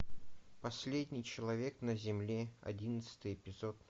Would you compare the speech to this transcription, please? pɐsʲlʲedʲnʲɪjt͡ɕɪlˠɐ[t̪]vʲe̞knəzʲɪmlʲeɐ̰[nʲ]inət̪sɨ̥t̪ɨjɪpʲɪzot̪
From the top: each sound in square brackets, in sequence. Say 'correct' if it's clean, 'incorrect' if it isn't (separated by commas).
incorrect, incorrect